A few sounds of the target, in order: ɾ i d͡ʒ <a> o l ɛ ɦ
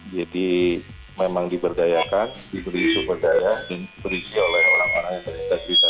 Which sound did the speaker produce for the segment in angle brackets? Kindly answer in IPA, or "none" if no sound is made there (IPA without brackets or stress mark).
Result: i